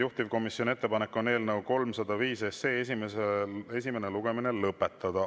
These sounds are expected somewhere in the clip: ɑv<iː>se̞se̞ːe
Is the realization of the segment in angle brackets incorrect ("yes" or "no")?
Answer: no